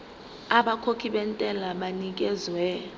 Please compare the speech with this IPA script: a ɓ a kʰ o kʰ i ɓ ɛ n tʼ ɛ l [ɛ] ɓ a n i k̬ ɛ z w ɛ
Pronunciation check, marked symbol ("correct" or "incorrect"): incorrect